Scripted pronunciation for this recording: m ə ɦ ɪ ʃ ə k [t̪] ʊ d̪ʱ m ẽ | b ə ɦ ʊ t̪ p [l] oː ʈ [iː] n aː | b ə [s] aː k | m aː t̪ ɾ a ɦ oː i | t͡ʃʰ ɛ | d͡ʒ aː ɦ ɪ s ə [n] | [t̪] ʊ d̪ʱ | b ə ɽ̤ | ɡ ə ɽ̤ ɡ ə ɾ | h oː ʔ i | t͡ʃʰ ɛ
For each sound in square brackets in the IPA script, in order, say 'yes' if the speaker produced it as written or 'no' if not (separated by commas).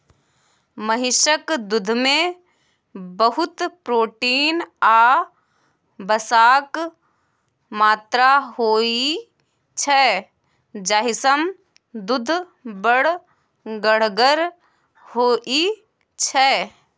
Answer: no, no, yes, yes, no, no